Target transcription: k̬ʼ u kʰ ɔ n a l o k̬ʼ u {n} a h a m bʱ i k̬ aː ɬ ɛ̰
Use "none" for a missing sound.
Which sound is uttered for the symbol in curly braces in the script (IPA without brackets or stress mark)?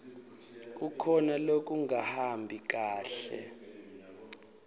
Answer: ŋ